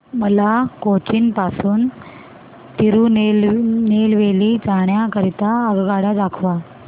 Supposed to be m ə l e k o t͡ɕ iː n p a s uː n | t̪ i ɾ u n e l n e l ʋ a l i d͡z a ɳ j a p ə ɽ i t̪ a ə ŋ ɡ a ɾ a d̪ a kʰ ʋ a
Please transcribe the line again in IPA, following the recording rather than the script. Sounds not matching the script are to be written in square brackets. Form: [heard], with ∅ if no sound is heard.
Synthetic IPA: m ə l [a] k o t͡ɕ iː n p a s uː n | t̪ i ɾ u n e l n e l ʋ [e] l i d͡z a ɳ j a [k] ə [ɾ] i t̪ a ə [ɡ] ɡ a [ɽ] a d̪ a kʰ ʋ a